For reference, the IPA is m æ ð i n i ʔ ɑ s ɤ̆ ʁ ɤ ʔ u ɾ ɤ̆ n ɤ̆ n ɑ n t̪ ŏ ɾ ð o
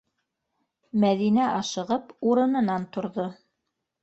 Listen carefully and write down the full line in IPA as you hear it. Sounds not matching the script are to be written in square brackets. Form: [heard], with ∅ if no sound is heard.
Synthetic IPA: m æ ð i n [æ] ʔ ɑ [ʃ] ɤ̆ ʁ ɤ [p] u ɾ ɤ̆ n ɤ̆ n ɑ n t̪ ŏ ɾ ð o